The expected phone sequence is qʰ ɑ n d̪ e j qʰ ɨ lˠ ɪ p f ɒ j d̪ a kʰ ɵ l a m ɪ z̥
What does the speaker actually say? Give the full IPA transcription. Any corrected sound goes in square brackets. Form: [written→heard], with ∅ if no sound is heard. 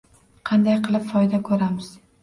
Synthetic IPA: qʰ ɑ n d̪ [e→a] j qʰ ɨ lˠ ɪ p f ɒ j d̪ a kʰ ɵ [l→ɾ] a m ɪ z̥